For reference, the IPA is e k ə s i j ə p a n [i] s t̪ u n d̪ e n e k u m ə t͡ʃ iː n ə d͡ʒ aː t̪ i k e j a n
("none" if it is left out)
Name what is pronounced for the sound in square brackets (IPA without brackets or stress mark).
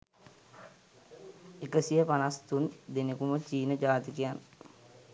a